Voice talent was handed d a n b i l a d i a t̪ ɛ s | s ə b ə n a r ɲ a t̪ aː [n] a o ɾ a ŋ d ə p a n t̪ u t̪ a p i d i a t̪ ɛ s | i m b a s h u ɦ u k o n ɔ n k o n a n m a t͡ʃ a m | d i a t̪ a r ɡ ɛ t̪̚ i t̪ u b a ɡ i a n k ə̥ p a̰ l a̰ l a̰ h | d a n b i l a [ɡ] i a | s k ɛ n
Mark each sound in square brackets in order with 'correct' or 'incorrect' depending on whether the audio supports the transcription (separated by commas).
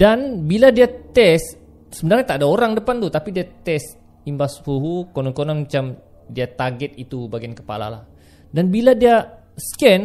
incorrect, incorrect